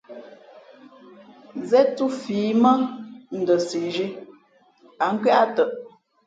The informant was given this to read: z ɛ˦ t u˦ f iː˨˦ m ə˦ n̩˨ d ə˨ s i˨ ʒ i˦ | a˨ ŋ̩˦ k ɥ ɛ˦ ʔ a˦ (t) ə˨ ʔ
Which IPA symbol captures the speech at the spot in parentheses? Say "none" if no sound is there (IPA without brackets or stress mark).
t